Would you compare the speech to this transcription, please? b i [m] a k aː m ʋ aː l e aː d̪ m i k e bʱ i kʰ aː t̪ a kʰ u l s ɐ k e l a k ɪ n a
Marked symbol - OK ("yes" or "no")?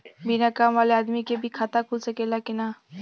no